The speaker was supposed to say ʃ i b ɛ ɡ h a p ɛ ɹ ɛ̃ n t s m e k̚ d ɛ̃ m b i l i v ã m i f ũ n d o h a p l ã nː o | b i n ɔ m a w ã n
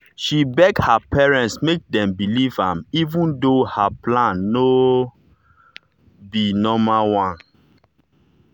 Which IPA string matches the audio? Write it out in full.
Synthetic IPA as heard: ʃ i b ɛ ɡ h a p ɛ ɹ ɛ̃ n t s m e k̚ d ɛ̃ m b i l i v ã m i v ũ n d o h a p l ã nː o | b i n ɔ m a w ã n